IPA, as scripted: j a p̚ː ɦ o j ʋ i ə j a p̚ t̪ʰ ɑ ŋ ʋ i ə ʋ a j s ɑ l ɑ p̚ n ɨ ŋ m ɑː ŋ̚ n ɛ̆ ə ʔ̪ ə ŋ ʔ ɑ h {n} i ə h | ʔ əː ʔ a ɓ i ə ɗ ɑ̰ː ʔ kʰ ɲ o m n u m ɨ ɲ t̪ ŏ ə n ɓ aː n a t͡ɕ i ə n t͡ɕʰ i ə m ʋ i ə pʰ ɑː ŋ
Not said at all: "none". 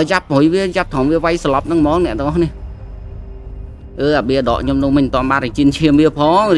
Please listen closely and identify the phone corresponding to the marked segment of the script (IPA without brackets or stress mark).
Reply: n